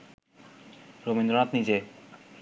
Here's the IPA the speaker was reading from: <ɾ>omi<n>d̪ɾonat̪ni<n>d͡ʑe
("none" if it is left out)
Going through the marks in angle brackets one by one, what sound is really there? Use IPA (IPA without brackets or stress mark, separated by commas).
ɾ, n, none